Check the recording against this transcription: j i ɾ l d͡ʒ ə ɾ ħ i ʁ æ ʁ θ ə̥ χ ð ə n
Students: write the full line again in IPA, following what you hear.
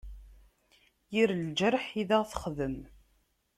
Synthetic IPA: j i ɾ l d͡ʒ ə ɾ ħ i ð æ ʁ θ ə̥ χ ð ə m